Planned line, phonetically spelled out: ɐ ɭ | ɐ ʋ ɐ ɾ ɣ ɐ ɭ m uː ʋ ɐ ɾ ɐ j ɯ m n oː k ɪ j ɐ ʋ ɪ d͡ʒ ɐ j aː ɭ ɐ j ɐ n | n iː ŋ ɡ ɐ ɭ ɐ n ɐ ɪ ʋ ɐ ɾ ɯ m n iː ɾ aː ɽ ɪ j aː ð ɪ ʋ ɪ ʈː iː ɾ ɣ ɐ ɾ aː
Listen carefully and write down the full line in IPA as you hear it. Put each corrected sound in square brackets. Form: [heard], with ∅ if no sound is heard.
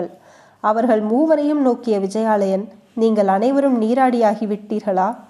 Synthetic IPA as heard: ɐ ɭ | ɐ ʋ ɐ ɾ ɣ ɐ ɭ m uː ʋ ɐ ɾ ɐ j ɯ m n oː k ɪ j ɐ ʋ ɪ d͡ʒ ɐ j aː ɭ ɐ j ɐ n | n iː ŋ ɡ ɐ ɭ ɐ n ɐ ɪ ʋ ɐ ɾ ɯ m n iː ɾ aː ɽ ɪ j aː [ɣ] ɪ ʋ ɪ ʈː iː ɾ ɣ ɐ [ɭ] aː